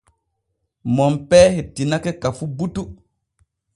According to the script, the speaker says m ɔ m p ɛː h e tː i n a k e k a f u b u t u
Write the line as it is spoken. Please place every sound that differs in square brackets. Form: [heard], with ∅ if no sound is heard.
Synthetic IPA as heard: m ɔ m p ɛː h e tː i n a k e k a f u b u t u